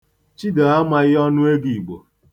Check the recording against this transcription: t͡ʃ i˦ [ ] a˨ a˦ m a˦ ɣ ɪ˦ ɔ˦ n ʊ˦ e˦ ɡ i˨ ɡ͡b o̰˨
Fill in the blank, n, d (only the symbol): d